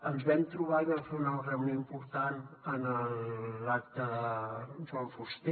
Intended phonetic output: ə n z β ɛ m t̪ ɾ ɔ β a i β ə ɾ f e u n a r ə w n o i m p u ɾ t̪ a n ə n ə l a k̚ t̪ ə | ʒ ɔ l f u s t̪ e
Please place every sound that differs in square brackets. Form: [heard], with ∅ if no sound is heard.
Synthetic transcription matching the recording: ə n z β ɛ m t̪ ɾ [u] β a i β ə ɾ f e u n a r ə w n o i m p u ɾ t̪ a n ə n ə l a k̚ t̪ ə | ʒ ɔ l f u s t̪ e